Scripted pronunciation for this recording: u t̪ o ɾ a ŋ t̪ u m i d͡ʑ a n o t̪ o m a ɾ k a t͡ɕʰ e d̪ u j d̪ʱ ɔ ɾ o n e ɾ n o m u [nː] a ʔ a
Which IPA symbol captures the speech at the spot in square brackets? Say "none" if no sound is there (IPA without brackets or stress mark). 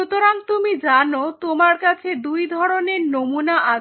n